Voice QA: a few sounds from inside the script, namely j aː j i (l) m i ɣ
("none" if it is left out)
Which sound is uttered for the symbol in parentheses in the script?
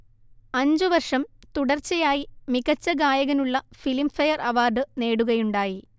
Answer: none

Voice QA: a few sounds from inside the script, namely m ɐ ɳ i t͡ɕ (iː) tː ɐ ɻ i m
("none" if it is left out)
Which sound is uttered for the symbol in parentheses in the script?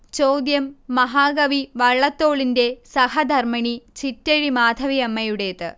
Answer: i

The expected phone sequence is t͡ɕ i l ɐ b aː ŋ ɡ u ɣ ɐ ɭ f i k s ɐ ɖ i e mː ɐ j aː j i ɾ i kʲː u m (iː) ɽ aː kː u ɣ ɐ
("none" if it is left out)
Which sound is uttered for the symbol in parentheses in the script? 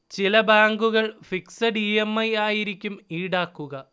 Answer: iː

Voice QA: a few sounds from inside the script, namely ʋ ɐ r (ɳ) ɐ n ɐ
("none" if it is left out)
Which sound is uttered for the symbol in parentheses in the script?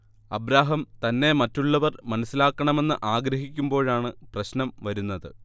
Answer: m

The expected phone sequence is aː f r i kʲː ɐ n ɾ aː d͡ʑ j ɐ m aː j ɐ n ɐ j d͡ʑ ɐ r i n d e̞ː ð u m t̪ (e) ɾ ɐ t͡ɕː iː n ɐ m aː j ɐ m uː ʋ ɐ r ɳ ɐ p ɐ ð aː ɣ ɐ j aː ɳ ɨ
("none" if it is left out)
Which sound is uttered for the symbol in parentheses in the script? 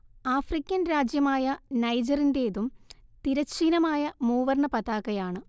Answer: i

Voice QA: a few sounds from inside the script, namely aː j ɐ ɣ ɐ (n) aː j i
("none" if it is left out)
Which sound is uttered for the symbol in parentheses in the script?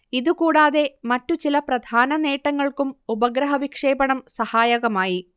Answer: m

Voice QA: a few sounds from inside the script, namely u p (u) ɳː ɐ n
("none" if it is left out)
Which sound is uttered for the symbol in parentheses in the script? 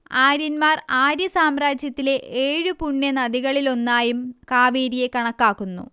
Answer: u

